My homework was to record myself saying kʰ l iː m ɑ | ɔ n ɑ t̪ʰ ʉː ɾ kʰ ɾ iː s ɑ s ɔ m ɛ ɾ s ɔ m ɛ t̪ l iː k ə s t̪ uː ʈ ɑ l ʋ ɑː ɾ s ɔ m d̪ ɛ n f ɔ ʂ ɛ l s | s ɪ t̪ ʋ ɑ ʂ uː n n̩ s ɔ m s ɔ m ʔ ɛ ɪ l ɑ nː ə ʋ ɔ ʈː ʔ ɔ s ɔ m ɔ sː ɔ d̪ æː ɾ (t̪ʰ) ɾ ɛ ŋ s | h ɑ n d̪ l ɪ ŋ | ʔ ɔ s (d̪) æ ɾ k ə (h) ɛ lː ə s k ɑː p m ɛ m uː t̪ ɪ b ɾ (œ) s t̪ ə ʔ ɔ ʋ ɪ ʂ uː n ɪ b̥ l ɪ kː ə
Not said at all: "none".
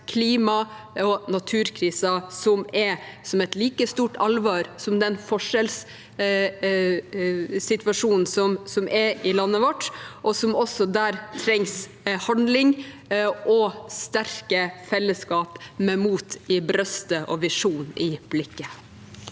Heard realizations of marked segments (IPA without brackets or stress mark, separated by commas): t̪ʰ, t̪, f, œ